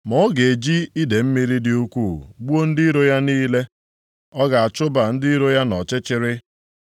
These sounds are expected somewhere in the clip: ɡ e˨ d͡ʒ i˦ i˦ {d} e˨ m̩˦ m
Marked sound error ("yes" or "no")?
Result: no